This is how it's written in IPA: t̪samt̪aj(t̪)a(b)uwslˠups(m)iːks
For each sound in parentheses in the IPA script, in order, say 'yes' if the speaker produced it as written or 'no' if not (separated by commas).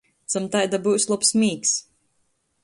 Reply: no, yes, yes